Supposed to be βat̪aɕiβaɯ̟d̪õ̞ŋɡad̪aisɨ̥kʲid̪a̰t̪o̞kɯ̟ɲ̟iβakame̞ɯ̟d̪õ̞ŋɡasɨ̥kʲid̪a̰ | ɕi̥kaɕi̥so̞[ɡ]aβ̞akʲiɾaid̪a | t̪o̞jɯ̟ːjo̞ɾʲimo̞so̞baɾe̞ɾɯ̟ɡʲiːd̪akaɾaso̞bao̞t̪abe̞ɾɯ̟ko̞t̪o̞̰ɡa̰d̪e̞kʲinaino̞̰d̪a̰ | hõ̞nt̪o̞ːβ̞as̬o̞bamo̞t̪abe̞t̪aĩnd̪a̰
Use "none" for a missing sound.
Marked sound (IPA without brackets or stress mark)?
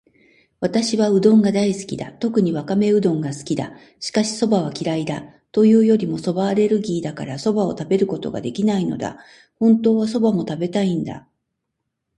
b